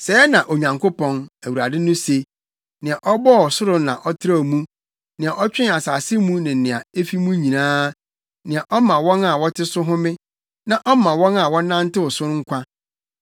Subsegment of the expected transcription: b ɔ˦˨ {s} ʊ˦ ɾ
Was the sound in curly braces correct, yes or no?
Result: yes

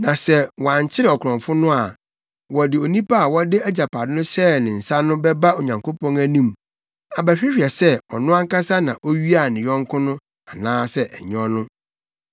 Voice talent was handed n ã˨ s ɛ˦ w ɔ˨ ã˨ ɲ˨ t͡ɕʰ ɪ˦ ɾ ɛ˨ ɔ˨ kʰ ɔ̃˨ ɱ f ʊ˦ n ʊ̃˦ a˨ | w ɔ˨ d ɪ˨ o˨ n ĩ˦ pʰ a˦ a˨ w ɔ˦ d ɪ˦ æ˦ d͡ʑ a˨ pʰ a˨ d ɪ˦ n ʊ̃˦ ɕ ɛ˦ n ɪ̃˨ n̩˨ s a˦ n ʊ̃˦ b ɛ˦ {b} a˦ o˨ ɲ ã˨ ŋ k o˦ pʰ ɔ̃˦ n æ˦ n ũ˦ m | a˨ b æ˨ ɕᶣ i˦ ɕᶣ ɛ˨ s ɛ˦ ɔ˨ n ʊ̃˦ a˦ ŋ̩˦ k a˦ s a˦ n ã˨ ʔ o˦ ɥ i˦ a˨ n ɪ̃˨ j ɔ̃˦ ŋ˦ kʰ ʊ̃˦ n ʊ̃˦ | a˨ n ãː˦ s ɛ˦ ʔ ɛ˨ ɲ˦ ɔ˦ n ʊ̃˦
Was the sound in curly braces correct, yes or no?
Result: yes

